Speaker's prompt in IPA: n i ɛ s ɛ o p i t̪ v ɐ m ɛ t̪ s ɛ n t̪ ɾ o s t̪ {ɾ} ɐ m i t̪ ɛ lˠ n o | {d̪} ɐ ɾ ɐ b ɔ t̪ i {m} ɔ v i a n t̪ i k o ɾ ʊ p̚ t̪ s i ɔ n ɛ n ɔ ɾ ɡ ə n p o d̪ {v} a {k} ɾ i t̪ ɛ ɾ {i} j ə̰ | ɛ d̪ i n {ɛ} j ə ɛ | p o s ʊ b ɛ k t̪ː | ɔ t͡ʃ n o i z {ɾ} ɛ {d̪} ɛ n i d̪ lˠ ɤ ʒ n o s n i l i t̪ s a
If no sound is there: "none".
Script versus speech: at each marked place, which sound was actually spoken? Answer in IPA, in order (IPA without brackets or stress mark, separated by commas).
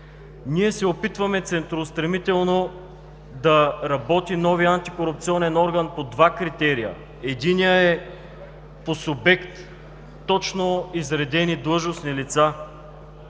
ɾ, d̪, n, v, k, i, i, ɾ, d̪